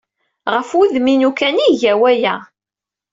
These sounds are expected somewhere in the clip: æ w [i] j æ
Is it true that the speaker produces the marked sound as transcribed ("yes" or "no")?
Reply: no